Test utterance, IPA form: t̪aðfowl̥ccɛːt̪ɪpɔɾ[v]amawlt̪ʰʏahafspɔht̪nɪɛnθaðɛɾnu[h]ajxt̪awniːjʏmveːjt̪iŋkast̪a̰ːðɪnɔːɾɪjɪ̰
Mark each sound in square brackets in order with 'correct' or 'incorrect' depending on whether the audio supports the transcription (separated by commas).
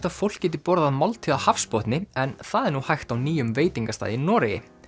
incorrect, correct